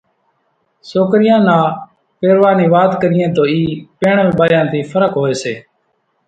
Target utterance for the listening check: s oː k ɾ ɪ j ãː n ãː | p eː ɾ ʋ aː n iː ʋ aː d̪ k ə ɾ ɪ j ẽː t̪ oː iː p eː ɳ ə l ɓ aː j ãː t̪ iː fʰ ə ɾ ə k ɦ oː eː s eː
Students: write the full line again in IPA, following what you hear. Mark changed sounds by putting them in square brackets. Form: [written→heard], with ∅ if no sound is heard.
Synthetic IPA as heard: s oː k ɾ ɪ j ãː n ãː | p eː ɾ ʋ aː n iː ʋ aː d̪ k ə ɾ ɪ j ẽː t̪ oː iː p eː ɳ ə l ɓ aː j ãː t̪ iː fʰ ə ɾ ə k ɦ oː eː s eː

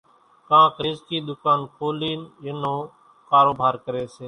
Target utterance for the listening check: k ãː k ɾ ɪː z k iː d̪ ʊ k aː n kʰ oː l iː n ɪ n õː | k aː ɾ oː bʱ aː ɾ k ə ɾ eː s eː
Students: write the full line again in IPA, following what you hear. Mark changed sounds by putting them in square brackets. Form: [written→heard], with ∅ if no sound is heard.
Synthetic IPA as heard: k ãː k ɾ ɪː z k iː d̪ ʊ k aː n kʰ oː l iː n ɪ n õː | k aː ɾ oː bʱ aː ɾ k ə ɾ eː s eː

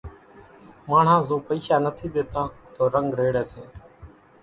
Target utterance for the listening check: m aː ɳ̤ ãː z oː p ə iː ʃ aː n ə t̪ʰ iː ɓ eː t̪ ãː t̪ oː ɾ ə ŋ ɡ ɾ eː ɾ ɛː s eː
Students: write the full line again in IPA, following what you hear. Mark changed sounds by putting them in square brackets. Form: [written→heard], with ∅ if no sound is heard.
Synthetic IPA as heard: m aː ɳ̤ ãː z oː p ə iː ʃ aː n ə t̪ʰ iː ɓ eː t̪ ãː t̪ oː ɾ ə ŋ ɡ ɾ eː [ɾ→ɽ] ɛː s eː

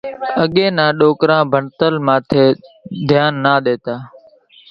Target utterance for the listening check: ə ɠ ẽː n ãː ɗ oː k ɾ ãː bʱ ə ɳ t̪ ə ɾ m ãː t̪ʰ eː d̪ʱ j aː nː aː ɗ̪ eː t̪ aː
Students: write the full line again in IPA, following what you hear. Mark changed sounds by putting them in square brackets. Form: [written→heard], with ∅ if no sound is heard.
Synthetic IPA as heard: ə ɠ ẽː n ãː ɗ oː k ɾ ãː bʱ ə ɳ t̪ ə [ɾ→l] m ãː t̪ʰ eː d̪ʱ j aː nː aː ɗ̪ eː t̪ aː

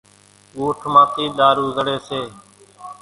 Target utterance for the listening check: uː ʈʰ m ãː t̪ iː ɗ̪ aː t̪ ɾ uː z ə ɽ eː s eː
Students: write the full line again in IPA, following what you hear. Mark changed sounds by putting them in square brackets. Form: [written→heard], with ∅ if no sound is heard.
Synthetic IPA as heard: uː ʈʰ m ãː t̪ iː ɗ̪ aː [t̪→∅] ɾ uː z ə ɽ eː s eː

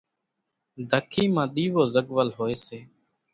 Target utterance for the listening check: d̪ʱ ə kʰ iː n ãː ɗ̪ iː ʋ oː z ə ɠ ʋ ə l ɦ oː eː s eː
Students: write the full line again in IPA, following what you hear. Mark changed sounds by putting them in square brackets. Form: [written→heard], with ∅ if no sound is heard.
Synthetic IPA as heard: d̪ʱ ə kʰ iː [n→m] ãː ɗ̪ iː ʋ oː z ə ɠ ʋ ə l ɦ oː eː s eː

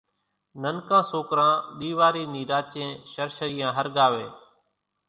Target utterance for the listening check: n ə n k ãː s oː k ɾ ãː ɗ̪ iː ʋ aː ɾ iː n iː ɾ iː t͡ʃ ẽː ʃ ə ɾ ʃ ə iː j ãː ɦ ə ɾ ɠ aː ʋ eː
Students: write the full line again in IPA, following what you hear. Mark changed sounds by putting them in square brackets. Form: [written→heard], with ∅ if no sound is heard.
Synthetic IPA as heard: n ə n k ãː s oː k ɾ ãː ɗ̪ iː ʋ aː ɾ iː n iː ɾ [iː→aː] t͡ʃ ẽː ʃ ə ɾ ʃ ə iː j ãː ɦ ə ɾ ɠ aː ʋ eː

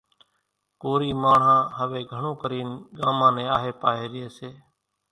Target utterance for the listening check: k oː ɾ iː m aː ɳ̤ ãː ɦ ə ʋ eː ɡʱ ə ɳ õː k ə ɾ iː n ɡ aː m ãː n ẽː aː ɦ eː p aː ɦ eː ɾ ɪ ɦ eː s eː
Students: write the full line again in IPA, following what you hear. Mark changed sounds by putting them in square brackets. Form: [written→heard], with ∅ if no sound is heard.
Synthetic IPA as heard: k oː ɾ iː m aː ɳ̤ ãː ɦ ə ʋ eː ɡʱ ə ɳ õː k ə ɾ iː n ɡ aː m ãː n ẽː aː ɦ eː p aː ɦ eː ɾ ɪ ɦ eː s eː

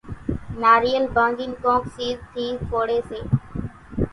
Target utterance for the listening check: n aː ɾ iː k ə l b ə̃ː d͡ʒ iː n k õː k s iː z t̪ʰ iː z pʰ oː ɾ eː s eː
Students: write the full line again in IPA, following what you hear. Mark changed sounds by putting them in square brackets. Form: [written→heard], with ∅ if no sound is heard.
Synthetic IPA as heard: n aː ɾ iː [k→∅] ə l b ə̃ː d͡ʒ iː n k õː k s iː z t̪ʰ iː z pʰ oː [ɾ→ɽ] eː s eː

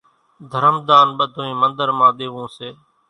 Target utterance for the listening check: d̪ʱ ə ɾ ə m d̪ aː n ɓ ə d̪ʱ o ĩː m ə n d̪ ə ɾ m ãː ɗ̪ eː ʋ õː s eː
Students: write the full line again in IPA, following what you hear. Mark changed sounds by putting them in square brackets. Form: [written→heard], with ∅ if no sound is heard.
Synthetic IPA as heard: d̪ʱ ə ɾ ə m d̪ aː n ɓ ə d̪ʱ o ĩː m ə n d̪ ə ɾ m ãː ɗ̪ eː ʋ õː s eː

